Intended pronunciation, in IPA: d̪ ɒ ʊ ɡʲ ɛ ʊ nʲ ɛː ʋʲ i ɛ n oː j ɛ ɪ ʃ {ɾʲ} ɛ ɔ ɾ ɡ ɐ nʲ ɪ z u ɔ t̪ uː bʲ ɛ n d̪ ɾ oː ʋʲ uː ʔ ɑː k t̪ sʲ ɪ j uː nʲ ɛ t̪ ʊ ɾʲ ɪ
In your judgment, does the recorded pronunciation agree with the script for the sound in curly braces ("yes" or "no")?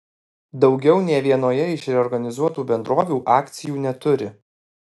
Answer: yes